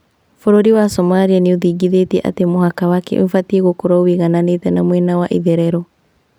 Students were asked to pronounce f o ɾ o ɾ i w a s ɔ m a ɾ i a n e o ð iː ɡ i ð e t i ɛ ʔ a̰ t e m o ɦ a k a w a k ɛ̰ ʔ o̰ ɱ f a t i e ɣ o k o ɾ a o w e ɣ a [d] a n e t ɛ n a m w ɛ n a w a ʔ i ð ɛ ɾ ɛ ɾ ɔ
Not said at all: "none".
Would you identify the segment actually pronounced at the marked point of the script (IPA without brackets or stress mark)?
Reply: n